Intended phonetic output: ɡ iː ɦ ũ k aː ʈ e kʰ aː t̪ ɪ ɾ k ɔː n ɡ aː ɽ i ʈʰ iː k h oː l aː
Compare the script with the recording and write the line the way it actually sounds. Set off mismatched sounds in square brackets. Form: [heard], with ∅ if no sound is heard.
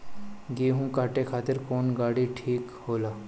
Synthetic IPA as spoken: ɡ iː ɦ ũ k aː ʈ e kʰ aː t̪ ɪ ɾ k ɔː n ɡ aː ɽ i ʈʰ iː k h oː l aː